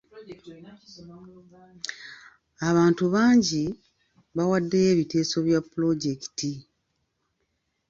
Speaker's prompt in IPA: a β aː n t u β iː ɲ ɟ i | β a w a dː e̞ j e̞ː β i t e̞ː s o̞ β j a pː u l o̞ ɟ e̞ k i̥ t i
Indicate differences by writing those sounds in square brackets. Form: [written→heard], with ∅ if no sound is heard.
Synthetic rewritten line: a β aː n t u β [iː→aː] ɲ ɟ i | β a w a dː e̞ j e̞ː β i t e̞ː s o̞ β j a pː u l o̞ ɟ e̞ k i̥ t i